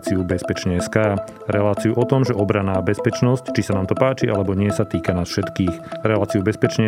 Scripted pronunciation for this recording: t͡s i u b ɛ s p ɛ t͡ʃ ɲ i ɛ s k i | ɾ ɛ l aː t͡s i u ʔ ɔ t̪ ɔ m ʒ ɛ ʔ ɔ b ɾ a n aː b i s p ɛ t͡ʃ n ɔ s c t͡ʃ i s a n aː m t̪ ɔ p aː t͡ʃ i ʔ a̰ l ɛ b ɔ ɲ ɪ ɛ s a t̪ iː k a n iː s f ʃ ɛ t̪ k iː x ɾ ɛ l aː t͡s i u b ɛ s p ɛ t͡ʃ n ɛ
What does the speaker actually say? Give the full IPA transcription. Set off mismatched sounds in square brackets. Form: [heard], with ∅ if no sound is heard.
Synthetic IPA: t͡s i u b ɛ s p ɛ t͡ʃ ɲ [ɛ] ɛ s k [a] | ɾ ɛ l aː t͡s i u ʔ ɔ t̪ ɔ m ʒ ɛ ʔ ɔ b ɾ a n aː b [ɛ] s p ɛ t͡ʃ n ɔ s c t͡ʃ i s a n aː m t̪ ɔ p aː t͡ʃ i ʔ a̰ l ɛ b ɔ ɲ ɪ ɛ s a t̪ iː k a n [aː] s f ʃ ɛ t̪ k iː x ɾ ɛ l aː t͡s i u b ɛ s p ɛ t͡ʃ [ɲ] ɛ